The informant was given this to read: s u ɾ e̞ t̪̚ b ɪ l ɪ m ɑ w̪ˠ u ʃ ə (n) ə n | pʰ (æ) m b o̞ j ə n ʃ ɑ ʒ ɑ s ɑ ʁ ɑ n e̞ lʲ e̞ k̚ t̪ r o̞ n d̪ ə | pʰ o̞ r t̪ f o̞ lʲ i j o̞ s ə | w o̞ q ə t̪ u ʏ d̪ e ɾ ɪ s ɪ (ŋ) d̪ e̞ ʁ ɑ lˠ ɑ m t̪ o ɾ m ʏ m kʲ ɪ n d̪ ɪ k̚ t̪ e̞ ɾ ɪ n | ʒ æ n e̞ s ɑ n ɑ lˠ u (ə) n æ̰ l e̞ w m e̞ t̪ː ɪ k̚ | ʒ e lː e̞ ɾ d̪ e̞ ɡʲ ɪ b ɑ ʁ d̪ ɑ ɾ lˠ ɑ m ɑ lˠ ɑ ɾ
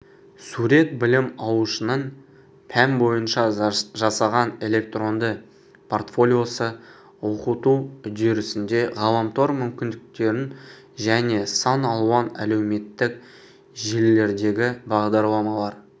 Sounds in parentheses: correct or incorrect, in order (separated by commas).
correct, correct, incorrect, incorrect